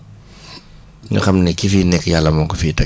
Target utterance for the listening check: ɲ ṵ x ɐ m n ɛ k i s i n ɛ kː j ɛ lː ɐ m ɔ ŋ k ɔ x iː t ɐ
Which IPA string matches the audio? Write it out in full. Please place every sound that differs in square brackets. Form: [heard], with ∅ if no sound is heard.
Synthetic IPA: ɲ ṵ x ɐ m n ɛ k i [f] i n ɛ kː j [a] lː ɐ m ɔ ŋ k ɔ [f] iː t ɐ